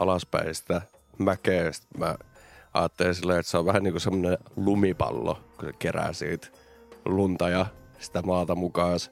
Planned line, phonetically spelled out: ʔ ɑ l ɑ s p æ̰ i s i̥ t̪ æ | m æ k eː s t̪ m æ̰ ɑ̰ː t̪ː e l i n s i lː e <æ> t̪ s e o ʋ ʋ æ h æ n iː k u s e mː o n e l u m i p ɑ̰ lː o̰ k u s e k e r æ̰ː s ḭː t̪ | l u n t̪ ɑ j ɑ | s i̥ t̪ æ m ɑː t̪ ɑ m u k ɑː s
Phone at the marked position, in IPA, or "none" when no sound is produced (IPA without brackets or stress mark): e